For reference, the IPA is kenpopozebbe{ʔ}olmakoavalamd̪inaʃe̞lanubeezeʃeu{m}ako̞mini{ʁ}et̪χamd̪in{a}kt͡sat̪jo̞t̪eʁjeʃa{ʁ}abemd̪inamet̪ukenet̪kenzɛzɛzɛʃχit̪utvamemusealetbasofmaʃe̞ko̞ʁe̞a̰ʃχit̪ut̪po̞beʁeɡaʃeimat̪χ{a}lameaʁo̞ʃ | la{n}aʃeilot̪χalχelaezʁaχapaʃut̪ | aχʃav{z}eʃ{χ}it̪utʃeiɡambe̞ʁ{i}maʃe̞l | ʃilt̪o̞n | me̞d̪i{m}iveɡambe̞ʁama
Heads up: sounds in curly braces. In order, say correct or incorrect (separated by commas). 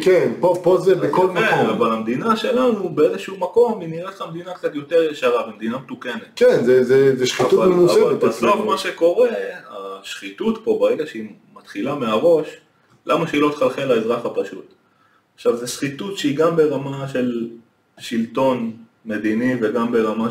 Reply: incorrect, correct, correct, correct, correct, incorrect, incorrect, correct, correct, incorrect, incorrect